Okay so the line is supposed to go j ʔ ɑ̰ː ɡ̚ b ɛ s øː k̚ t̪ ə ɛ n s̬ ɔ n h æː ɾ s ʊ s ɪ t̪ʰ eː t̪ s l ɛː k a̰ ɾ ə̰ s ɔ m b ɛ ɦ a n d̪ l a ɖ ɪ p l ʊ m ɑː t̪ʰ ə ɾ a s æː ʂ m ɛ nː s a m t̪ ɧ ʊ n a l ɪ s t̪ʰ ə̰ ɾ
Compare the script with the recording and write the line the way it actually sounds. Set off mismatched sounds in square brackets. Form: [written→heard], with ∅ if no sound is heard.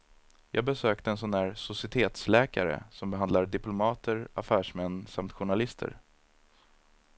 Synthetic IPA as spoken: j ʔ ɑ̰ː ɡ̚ b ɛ s øː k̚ t̪ ə ɛ n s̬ ɔ n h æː ɾ s ʊ s ɪ t̪ʰ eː t̪ s l ɛː k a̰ ɾ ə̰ s ɔ m b ɛ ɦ a n d̪ l a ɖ ɪ p l ʊ m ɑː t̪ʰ ə ɾ a [s→f] æː ʂ m ɛ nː s a m t̪ ɧ ʊ [n→ɳ] a l ɪ s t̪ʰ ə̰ ɾ